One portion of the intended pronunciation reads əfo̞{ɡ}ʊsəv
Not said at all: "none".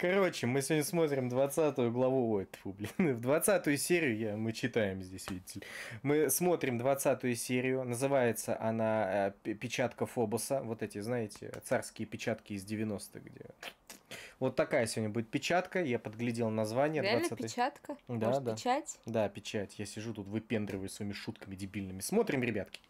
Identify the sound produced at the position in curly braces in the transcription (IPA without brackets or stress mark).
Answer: b